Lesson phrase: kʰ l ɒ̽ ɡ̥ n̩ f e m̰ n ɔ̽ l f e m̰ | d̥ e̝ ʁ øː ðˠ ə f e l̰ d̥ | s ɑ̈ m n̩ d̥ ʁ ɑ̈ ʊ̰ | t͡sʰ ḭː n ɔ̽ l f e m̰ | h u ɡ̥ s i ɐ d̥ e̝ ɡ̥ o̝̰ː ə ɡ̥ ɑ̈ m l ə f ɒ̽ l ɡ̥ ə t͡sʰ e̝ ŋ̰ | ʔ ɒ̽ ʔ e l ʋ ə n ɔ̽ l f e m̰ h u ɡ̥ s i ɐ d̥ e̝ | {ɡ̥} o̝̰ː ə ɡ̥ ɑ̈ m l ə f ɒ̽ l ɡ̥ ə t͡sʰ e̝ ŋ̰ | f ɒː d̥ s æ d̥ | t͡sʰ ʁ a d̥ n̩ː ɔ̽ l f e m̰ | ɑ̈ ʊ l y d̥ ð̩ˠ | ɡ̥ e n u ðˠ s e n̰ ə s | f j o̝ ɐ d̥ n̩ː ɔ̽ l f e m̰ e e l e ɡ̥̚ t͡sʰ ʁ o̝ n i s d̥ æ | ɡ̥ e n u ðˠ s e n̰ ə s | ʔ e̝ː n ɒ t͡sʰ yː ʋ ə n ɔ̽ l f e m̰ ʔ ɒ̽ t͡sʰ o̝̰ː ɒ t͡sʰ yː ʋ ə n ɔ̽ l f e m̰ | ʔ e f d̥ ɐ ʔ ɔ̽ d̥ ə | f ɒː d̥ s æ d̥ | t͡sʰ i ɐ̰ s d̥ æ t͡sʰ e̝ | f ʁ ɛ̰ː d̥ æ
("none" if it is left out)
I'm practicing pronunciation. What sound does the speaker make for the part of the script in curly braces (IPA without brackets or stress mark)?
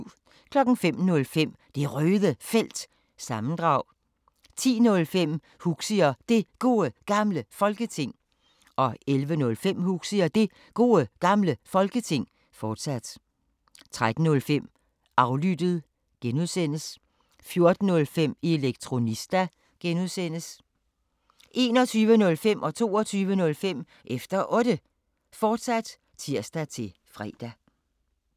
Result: ɡ̥